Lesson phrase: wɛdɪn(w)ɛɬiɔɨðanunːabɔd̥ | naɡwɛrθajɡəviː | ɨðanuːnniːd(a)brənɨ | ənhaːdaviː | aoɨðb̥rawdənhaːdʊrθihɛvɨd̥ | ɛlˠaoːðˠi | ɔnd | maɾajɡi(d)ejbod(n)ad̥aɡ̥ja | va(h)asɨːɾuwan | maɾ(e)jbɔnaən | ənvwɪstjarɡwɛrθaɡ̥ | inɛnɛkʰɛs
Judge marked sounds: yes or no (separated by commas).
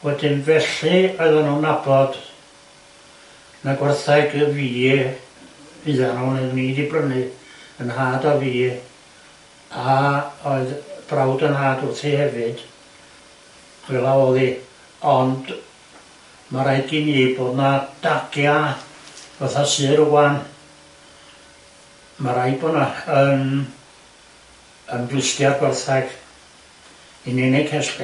no, no, no, yes, no, no